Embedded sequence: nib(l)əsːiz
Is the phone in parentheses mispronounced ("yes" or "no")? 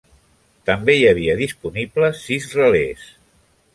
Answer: no